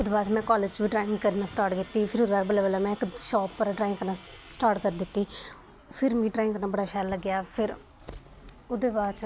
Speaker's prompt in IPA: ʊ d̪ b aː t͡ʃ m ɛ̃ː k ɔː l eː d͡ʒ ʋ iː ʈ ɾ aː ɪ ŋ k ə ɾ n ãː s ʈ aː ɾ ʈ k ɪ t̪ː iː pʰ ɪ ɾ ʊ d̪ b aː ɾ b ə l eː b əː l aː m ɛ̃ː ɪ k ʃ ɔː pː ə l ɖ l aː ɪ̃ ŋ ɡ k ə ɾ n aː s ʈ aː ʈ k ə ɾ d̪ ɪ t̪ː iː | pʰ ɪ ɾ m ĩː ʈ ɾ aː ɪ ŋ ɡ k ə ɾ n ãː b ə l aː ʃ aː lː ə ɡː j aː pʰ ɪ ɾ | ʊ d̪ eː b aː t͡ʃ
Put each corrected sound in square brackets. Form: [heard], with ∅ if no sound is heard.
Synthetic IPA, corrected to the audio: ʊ d̪ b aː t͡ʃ m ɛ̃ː k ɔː l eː d͡ʒ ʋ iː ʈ ɾ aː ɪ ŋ k ə ɾ n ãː s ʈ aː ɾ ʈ k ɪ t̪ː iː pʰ ɪ ɾ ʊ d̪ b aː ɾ b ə l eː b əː l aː m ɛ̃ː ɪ k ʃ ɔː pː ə [ɾ] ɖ [ɾ] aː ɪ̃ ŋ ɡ k ə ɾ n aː s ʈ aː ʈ k ə ɾ d̪ ɪ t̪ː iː | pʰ ɪ ɾ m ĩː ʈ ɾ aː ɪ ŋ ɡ k ə ɾ n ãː b ə [ɽ] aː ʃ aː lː ə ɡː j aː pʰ ɪ ɾ | ʊ d̪ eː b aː t͡ʃ